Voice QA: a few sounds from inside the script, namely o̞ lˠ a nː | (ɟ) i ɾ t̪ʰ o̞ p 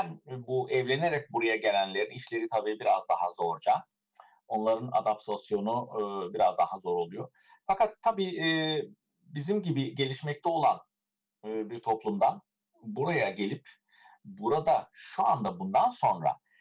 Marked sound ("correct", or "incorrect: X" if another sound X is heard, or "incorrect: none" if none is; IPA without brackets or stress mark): incorrect: b